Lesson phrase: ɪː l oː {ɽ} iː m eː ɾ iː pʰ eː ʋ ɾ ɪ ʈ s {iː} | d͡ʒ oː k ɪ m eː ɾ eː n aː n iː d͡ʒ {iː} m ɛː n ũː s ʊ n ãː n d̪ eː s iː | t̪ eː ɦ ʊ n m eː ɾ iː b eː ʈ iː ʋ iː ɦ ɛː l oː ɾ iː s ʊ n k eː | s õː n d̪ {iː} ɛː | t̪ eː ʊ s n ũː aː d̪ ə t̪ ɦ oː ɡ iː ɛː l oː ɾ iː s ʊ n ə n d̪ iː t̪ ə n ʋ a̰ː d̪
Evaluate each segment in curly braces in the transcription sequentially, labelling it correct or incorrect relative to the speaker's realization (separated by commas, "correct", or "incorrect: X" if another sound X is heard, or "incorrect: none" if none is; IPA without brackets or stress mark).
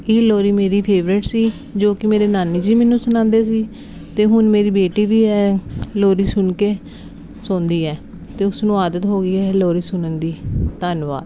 incorrect: ɾ, correct, correct, correct